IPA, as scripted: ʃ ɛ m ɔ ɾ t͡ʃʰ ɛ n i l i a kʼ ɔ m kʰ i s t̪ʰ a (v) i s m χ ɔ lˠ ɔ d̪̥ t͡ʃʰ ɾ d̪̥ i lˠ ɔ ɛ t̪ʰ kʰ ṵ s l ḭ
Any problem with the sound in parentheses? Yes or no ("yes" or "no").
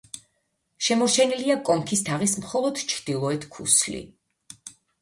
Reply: yes